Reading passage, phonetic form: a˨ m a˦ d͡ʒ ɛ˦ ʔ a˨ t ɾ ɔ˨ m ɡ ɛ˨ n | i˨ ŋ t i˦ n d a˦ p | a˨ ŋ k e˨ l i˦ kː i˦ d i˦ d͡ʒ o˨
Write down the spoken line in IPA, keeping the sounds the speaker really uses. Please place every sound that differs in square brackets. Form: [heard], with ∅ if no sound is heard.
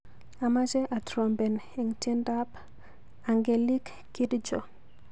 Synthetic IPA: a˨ m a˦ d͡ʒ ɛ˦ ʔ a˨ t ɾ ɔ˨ m [b] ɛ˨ n | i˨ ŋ t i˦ n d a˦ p | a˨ ŋ [ɡ] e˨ l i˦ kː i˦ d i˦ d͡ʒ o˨